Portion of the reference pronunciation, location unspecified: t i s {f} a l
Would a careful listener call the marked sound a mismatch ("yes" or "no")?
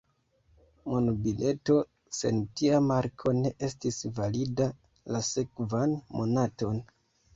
yes